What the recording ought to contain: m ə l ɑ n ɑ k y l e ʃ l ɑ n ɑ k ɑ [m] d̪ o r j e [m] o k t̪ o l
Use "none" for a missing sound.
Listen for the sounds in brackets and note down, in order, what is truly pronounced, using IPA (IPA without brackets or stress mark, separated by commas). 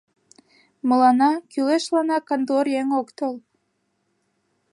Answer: n, ŋ